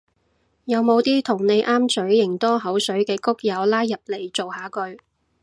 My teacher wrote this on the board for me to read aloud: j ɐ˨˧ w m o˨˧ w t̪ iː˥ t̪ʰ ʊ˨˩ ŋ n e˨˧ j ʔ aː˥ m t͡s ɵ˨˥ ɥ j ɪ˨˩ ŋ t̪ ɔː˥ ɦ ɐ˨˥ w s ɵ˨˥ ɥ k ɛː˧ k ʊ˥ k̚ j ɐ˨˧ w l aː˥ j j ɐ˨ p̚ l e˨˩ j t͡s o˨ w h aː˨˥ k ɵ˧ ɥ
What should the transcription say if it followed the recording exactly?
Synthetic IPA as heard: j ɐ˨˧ w m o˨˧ w t̪ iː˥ t̪ʰ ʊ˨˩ ŋ n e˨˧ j ʔ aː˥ m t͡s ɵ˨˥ ɥ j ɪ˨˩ ŋ t̪ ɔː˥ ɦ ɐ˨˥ w s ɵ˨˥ ɥ k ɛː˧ k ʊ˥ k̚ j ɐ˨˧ w l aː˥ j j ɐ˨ p̚ l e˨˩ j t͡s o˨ w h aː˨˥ k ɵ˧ ɥ